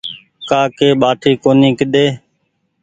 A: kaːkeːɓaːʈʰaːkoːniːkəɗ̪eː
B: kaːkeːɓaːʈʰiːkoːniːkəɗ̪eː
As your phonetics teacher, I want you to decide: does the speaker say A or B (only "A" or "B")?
B